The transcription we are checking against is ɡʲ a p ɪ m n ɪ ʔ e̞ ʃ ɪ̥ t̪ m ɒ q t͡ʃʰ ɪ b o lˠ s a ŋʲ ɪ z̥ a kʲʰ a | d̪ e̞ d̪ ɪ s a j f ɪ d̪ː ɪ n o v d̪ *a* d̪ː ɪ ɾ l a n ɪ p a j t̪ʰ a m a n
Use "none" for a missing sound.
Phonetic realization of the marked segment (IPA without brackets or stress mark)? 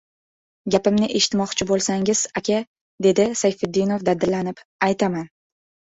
a